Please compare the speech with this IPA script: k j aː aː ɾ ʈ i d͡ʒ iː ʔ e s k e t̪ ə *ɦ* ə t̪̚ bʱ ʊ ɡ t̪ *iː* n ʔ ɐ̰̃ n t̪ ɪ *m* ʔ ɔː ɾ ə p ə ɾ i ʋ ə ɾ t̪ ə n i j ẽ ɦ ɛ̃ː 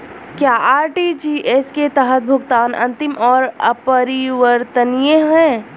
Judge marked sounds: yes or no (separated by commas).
yes, no, yes